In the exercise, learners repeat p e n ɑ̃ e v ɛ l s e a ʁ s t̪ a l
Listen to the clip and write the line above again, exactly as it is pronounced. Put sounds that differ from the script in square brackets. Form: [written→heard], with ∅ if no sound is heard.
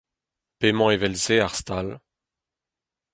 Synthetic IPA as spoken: p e [n→m] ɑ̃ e v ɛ l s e a ʁ s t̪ a l